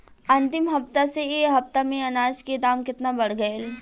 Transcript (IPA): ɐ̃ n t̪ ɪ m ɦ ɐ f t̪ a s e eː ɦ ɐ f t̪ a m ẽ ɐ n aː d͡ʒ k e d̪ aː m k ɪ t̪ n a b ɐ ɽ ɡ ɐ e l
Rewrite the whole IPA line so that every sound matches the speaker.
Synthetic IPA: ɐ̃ n t̪ ɪ m ɦ ɐ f t̪ a s e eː ɦ ɐ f t̪ a m ẽ ɐ n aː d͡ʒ k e d̪ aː m k ɪ t̪ n a b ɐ ɽ ɡ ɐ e l